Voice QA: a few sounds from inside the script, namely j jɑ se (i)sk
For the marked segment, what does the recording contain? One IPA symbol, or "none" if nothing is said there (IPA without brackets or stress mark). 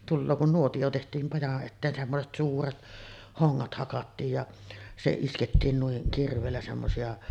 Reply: i